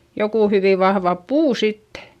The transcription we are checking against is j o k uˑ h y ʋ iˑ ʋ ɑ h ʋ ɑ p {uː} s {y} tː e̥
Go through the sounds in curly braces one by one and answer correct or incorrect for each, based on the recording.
correct, incorrect

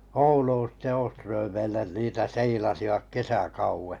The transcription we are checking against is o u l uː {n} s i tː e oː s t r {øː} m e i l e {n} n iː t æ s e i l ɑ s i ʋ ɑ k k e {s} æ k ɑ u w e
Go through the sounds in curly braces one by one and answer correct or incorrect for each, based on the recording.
correct, correct, correct, correct

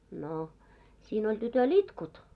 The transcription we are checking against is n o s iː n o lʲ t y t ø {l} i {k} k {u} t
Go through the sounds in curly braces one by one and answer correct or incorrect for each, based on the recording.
correct, incorrect, correct

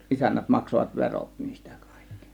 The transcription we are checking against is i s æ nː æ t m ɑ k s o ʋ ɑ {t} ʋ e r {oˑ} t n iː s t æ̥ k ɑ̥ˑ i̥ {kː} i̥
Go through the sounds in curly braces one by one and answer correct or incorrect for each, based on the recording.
correct, correct, correct

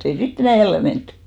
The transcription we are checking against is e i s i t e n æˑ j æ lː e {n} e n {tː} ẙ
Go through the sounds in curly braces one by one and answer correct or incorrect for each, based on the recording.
incorrect, correct

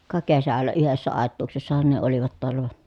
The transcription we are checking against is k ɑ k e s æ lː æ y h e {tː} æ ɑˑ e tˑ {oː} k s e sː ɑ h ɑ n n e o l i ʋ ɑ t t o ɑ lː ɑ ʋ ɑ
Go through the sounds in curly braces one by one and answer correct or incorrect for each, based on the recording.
incorrect, incorrect

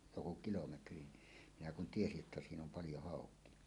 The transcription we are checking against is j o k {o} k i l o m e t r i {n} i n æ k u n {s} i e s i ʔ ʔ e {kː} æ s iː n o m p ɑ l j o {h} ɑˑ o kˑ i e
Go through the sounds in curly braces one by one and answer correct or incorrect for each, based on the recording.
incorrect, incorrect, incorrect, incorrect, correct

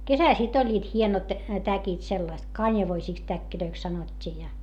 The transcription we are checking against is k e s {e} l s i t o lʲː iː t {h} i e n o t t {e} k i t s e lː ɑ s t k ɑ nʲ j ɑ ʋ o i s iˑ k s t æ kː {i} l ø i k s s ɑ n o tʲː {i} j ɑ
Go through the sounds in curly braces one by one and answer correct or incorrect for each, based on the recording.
incorrect, correct, incorrect, correct, incorrect

